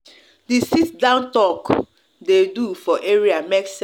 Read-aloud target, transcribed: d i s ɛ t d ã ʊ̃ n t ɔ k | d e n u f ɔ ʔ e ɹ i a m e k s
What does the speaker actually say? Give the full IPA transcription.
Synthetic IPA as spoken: d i s i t d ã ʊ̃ n t ɔ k | d e d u f ɔ ʔ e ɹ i a m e k s